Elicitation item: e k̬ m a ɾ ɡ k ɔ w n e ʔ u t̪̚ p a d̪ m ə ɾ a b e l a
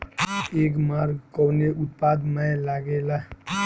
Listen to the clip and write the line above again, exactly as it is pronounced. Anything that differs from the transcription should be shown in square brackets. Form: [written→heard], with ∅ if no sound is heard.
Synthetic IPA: e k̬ m a ɾ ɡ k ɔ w n e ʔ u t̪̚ p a d̪ m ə [ɾ→l] a [b→ɡ] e l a